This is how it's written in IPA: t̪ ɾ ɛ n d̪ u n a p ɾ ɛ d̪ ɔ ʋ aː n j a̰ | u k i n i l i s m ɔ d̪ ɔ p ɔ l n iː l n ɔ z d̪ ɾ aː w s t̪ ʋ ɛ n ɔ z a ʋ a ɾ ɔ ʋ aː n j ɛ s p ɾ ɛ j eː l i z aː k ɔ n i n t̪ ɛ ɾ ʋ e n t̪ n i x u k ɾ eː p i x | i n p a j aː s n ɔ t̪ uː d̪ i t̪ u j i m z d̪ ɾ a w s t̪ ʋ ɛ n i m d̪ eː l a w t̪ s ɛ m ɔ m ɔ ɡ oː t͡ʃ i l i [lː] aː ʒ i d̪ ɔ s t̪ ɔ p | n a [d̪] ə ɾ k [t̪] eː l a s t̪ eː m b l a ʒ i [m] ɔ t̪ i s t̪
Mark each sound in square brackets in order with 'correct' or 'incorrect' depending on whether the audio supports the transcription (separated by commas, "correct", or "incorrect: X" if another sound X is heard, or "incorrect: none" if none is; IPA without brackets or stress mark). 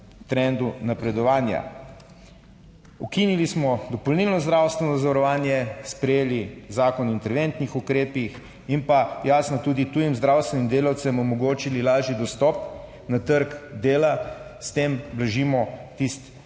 incorrect: l, incorrect: t̪, incorrect: d̪, correct